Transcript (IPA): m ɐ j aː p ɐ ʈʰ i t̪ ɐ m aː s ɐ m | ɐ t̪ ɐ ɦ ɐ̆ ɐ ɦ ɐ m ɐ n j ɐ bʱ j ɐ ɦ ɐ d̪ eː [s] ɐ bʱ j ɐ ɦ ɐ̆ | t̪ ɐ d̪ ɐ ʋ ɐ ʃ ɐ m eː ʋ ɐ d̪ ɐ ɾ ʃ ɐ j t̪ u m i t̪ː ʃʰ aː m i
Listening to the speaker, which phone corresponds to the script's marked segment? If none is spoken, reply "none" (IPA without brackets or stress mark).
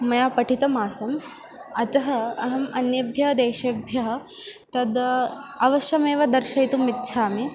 ʃ